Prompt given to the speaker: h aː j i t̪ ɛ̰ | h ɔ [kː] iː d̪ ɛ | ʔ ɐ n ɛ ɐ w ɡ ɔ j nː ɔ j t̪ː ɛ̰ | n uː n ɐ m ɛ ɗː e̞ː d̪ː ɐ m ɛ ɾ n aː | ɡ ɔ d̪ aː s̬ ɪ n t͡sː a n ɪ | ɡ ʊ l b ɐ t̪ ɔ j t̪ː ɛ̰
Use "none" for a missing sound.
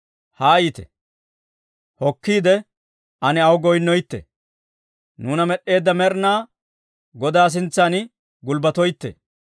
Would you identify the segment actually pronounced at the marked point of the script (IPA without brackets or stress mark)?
kː